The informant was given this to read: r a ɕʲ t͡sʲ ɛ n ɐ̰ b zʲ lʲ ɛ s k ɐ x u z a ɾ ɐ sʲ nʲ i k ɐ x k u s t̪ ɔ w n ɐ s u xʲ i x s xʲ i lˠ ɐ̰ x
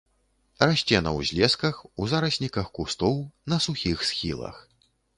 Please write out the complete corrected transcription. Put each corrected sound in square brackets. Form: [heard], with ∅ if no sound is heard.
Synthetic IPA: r a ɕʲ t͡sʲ ɛ n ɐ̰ [w] zʲ lʲ ɛ s k ɐ x u z a ɾ ɐ sʲ nʲ i k ɐ x k u s t̪ ɔ w n ɐ s u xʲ i x s xʲ i lˠ ɐ̰ x